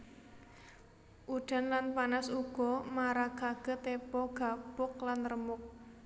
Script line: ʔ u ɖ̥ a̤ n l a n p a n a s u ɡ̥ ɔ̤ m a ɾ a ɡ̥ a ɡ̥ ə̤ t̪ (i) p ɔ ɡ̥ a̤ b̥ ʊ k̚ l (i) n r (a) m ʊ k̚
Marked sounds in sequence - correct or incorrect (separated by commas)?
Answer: incorrect, incorrect, incorrect